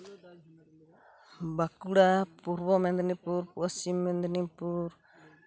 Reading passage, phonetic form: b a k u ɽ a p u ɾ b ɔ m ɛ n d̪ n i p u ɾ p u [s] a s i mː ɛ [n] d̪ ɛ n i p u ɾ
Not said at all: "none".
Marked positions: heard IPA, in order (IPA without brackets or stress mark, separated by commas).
none, n